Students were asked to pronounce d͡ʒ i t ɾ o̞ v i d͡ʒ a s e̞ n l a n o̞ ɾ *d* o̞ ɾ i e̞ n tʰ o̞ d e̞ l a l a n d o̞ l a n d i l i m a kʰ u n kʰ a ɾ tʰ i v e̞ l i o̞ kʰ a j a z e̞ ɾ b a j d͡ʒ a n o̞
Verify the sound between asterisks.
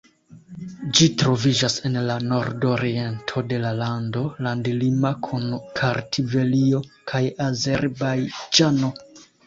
correct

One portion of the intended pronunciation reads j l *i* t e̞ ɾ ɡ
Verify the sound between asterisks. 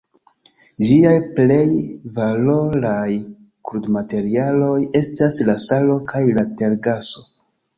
incorrect: a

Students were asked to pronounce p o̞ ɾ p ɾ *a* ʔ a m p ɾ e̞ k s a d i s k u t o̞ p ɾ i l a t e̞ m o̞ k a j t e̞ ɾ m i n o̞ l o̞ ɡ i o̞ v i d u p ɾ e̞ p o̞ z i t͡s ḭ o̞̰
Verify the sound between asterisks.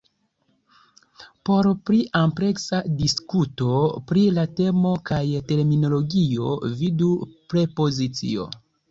incorrect: i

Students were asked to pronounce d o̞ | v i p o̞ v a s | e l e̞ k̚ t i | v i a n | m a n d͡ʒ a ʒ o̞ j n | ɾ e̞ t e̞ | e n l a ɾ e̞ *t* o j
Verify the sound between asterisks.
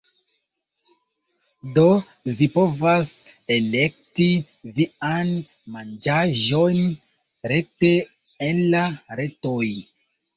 correct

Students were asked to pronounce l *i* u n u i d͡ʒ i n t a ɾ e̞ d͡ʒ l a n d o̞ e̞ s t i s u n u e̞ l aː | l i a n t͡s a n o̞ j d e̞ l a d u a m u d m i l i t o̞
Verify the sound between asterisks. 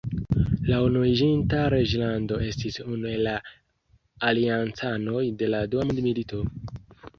incorrect: a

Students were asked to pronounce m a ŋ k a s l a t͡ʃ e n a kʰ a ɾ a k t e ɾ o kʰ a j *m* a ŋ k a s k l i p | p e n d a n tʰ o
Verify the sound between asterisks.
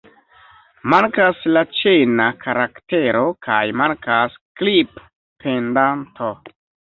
correct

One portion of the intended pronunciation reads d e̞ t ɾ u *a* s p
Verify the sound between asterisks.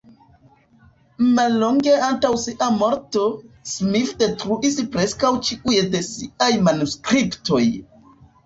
incorrect: i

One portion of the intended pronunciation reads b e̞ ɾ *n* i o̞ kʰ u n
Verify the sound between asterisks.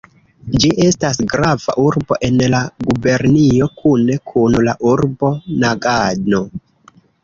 correct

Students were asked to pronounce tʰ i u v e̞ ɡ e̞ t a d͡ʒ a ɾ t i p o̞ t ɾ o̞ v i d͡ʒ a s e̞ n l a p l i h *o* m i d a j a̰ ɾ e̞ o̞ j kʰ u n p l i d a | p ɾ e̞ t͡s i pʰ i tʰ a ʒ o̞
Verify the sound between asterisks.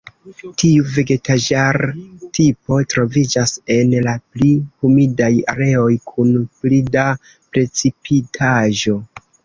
incorrect: u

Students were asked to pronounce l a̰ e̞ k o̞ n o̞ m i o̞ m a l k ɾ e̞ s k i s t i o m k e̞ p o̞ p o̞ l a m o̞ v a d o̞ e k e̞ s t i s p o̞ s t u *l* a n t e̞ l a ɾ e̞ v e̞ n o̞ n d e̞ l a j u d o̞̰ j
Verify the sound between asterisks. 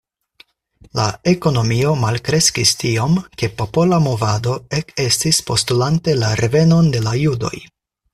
correct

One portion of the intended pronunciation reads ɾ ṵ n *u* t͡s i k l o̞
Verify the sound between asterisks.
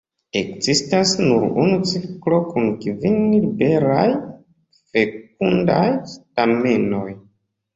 correct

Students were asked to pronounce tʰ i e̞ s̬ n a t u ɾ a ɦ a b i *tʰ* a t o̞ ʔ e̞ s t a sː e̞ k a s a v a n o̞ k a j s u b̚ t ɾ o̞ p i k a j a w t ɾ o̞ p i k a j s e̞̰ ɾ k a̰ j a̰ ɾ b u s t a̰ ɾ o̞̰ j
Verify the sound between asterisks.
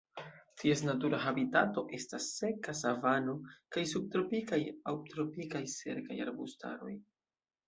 incorrect: t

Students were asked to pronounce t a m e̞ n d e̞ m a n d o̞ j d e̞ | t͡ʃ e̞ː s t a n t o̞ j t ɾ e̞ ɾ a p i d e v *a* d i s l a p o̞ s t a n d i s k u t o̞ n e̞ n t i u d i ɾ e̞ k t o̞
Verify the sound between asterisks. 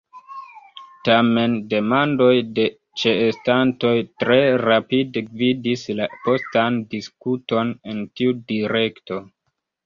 incorrect: i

